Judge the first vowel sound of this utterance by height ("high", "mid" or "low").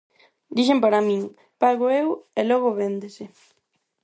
high